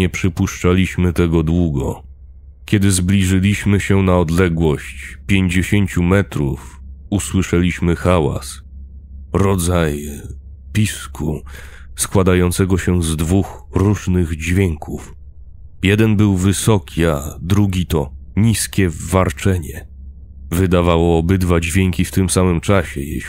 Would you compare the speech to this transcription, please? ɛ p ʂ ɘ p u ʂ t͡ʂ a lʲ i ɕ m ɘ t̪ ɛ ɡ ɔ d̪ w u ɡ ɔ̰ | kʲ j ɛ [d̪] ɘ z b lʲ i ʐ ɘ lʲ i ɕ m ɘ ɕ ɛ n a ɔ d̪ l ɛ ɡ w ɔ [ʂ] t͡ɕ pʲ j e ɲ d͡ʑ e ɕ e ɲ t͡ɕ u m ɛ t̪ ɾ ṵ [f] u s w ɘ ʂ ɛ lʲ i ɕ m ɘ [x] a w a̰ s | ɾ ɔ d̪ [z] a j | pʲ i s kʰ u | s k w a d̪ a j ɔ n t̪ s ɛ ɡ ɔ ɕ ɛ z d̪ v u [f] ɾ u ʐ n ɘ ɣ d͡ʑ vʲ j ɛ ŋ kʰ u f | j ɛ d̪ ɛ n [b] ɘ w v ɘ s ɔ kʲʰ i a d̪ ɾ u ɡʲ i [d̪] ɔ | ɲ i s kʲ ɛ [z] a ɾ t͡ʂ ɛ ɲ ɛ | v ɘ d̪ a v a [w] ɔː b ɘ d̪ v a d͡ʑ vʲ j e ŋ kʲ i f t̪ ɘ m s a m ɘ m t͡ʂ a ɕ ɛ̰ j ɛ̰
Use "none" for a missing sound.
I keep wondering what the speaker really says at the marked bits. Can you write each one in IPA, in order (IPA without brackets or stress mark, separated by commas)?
d̪, ɕ, f, x, z, x, b, t̪, v, w